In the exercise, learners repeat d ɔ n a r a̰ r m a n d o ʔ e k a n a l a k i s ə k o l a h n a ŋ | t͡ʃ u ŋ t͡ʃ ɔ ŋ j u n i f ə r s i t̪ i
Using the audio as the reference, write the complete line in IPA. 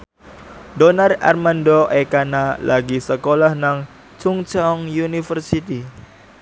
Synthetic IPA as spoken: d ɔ n a r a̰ r m a n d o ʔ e k a n a l a ɡ i s ə k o l a h n a ŋ | t͡ʃ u ŋ t͡ʃ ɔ ŋ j u n i f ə r s i t̪ i